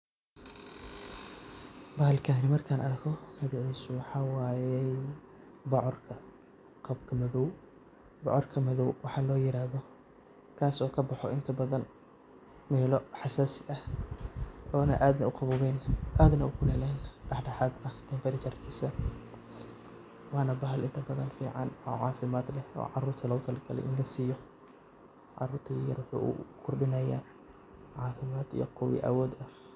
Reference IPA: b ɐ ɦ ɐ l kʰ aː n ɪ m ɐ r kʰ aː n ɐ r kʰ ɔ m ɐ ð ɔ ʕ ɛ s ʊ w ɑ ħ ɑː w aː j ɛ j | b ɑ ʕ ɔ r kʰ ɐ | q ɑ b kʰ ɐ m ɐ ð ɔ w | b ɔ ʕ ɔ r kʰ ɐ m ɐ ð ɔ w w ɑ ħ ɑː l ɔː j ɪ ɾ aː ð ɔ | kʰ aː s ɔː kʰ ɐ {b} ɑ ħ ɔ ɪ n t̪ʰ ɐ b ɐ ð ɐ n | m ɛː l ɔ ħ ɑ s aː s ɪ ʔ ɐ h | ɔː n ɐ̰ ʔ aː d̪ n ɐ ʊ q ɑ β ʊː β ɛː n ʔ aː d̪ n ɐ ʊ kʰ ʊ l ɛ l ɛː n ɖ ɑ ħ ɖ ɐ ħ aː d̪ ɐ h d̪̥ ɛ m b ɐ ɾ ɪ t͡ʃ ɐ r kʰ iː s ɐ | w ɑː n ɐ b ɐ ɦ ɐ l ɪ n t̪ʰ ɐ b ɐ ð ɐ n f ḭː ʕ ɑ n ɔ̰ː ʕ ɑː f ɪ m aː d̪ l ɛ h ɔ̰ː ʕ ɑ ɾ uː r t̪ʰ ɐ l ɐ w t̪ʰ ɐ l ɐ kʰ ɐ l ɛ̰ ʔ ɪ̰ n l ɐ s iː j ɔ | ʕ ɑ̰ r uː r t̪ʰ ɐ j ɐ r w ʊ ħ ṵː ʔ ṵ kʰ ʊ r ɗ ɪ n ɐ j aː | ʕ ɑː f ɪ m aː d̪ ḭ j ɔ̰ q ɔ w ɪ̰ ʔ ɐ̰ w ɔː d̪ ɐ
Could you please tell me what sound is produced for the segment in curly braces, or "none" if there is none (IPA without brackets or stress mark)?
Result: b